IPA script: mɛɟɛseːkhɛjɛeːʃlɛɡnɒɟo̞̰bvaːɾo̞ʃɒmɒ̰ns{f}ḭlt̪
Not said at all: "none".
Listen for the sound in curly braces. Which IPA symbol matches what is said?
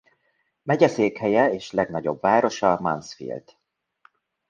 f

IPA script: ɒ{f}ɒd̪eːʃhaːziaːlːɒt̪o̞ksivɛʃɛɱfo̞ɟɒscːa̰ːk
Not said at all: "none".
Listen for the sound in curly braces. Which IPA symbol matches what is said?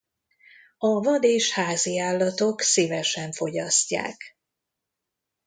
v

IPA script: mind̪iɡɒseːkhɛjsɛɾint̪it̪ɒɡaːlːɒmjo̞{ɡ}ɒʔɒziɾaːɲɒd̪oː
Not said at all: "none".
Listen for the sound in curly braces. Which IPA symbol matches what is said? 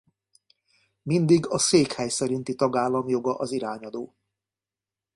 ɡ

